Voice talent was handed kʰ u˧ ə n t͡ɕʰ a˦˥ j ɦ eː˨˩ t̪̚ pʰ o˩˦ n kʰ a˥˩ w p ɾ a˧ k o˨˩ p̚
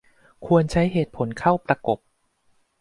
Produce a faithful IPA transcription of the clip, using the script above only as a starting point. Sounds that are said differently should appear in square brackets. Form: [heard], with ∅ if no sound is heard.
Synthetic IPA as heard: kʰ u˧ ə n t͡ɕʰ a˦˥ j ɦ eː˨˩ t̪̚ pʰ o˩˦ n kʰ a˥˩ w p ɾ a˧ k o˨˩ p̚